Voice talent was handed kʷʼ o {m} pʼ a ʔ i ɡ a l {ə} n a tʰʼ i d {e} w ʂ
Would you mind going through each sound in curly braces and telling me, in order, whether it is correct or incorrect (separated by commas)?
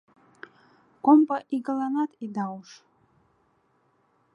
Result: correct, incorrect, incorrect